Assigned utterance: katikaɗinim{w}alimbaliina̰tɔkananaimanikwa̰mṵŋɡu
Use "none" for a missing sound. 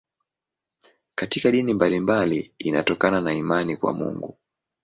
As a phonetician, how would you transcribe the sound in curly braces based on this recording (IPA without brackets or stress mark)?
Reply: b